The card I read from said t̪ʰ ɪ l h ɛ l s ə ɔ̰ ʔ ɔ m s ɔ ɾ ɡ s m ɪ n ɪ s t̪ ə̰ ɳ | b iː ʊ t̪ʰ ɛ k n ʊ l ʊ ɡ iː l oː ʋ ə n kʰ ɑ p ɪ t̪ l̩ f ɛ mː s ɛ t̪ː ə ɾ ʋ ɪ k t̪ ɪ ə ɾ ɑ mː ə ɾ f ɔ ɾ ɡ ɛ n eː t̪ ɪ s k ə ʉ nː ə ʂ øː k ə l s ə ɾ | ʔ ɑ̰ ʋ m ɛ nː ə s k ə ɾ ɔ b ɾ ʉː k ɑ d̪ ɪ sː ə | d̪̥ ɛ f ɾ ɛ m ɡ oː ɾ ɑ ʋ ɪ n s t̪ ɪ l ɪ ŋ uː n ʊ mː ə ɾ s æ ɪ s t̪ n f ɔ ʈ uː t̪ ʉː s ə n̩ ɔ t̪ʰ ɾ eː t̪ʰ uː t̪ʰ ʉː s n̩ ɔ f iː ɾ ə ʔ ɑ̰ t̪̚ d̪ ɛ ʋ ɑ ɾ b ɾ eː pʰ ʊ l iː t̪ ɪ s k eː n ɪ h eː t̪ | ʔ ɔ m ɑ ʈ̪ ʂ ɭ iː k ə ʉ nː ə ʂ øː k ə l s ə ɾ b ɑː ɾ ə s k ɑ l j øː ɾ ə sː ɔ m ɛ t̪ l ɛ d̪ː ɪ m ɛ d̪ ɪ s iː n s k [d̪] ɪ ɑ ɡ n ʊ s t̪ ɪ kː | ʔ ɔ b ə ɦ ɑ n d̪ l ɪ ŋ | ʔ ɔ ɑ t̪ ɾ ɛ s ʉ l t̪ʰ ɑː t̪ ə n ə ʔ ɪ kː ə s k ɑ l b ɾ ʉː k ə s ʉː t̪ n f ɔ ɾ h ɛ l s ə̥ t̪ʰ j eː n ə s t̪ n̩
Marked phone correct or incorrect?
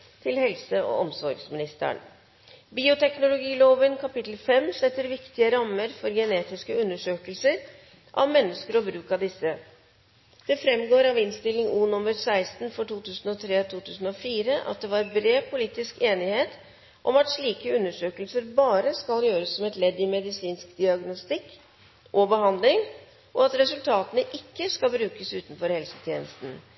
correct